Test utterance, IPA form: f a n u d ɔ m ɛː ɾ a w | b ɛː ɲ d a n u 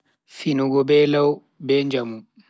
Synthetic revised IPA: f i n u ɡ ɔ b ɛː l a w | b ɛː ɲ d͡ʒ a m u